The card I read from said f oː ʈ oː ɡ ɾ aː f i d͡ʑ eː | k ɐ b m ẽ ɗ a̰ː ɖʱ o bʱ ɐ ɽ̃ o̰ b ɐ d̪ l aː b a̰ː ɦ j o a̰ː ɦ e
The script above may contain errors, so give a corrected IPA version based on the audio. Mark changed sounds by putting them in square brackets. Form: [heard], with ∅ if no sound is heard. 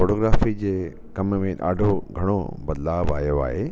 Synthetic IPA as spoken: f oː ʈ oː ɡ ɾ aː f i d͡ʑ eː | k ɐ [m] m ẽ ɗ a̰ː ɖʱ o [ɡʱ] ɐ ɽ̃ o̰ b ɐ d̪ l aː b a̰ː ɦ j o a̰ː ɦ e

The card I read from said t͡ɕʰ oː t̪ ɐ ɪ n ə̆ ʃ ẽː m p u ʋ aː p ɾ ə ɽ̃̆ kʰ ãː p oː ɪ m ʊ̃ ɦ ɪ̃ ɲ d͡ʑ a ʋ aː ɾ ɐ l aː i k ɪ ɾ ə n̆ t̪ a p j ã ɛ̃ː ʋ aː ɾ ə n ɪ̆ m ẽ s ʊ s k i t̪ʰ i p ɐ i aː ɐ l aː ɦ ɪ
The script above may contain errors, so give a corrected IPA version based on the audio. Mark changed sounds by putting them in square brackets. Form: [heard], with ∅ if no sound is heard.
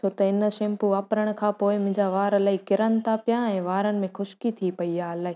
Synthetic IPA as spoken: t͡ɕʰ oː t̪ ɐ ɪ n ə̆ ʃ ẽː m p u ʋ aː p ɾ ə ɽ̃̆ kʰ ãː p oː ɪ m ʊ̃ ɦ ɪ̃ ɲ d͡ʑ a ʋ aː ɾ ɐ l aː i k ɪ ɾ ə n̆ t̪ a p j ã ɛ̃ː ʋ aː ɾ ə n ɪ̆ m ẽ [x] ʊ [ʃ] k i t̪ʰ i p ɐ i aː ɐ l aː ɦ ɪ

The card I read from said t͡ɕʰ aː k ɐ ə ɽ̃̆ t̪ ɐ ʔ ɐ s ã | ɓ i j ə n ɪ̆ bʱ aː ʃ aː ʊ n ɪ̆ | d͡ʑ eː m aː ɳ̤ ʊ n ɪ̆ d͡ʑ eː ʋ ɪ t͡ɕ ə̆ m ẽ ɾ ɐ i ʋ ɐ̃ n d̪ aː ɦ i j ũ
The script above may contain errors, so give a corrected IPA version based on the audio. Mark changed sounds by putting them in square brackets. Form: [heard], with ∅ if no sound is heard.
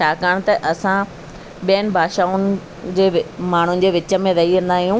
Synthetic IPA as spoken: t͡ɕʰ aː k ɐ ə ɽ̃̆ t̪ ɐ ʔ ɐ s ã | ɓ i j ə n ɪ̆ bʱ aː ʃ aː ʊ n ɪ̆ | d͡ʑ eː m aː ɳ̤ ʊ n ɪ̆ d͡ʑ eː ʋ ɪ t͡ɕ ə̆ m ẽ ɾ ɐ i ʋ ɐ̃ n d̪ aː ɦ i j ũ

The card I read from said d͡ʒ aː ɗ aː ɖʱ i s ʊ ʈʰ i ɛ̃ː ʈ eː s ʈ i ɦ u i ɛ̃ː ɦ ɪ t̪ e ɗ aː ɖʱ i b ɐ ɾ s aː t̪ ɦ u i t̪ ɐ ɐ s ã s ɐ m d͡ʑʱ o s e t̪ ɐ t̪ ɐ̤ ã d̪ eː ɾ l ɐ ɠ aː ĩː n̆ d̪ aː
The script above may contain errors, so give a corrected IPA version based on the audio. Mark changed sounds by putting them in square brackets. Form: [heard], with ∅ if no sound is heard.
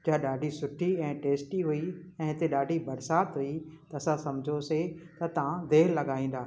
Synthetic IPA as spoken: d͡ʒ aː ɗ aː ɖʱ i s ʊ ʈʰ i ɛ̃ː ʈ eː s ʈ i ɦ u i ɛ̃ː ɦ ɪ t̪ e ɗ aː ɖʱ i b ɐ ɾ s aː t̪ ɦ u i t̪ ɐ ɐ s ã s ɐ m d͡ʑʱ o s e t̪ ɐ t̪ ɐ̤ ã d̪ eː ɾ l ɐ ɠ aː ĩː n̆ d̪ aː

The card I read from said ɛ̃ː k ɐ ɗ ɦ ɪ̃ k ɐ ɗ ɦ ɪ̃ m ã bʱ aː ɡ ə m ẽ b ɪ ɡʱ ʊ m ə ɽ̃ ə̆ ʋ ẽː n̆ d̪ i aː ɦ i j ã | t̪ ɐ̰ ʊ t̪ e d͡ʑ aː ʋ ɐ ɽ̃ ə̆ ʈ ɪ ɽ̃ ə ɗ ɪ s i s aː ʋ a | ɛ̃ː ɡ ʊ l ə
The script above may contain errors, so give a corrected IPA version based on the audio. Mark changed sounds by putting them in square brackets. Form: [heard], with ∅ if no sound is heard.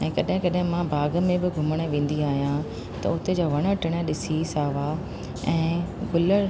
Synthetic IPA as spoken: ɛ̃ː k ɐ ɗ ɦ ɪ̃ k ɐ ɗ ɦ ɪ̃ m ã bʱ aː ɡ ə m ẽ b ɪ ɡʱ ʊ m ə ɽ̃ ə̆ ʋ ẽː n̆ d̪ i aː ɦ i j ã | t̪ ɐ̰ ʊ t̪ e d͡ʑ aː ʋ ɐ ɽ̃ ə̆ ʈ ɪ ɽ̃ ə ɗ ɪ s i s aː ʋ a | ɛ̃ː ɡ ʊ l ə

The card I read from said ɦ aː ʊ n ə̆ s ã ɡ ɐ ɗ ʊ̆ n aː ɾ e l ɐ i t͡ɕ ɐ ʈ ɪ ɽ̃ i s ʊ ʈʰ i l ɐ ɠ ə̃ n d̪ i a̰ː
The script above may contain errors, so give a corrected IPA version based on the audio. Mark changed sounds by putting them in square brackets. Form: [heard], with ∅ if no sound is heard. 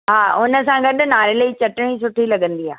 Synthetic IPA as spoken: ɦ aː ʊ n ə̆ s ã ɡ ɐ ɗ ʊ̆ n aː ɾ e l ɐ i t͡ɕ ɐ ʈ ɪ ɽ̃ i s ʊ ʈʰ i l ɐ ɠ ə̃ n d̪ i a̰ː

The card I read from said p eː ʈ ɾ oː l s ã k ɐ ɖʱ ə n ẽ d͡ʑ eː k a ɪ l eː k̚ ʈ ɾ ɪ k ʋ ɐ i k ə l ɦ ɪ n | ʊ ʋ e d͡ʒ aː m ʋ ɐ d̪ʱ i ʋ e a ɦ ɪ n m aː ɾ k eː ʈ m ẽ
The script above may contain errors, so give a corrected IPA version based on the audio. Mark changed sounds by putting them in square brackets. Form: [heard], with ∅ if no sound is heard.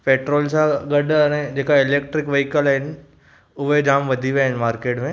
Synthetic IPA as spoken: p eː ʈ ɾ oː l s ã [ɡ] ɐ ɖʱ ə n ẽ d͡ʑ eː k a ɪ l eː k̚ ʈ ɾ ɪ k ʋ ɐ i k ə l ɦ ɪ n | ʊ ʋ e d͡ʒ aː m ʋ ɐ d̪ʱ i ʋ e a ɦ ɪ n m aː ɾ k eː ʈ m ẽ

